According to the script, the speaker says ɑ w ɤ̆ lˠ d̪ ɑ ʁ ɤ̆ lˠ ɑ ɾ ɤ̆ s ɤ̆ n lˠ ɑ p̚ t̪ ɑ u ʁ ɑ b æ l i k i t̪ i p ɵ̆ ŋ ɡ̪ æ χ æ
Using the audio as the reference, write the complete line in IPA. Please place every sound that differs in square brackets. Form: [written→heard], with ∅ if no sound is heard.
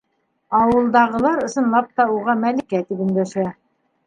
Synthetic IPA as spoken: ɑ w ɤ̆ lˠ d̪ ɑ ʁ ɤ̆ lˠ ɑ ɾ ɤ̆ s ɤ̆ n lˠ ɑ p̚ t̪ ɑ u ʁ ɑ [b→m] æ l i k [i→æ] t̪ i p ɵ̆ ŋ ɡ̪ æ [χ→ʃ] æ